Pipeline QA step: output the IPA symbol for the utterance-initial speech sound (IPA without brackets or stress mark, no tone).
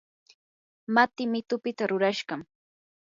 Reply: m